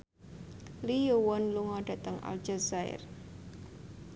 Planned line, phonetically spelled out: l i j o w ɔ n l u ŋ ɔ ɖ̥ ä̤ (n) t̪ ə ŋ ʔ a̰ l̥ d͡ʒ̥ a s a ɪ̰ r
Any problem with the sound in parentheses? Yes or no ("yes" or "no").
yes